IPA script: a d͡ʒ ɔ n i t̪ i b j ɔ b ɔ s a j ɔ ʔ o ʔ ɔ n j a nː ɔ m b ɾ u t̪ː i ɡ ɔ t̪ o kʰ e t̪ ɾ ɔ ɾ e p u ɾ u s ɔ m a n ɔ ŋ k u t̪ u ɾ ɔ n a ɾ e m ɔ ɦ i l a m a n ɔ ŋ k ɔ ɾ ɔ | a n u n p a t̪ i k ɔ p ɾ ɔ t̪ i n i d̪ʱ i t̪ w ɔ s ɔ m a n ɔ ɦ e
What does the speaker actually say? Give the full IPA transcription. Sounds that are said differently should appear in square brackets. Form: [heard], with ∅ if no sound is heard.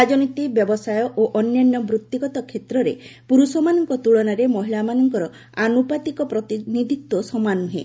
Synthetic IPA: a d͡ʒ ɔ n i t̪ i b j ɔ b ɔ s a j ɔ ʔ o ʔ ɔ n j a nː ɔ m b ɾ u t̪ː i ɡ ɔ t̪ [ɔ] kʰ e t̪ ɾ ɔ ɾ e p u ɾ u s ɔ m a n ɔ ŋ k [ɔ] t̪ u [ɭ] ɔ n a ɾ e m ɔ ɦ i l a m a n ɔ ŋ k ɔ ɾ ɔ | a n u [∅] p a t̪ i k ɔ p ɾ ɔ t̪ i n i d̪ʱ i t̪ w ɔ s ɔ m a n [u] ɦ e